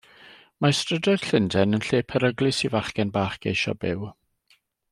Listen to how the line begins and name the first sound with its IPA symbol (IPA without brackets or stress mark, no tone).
m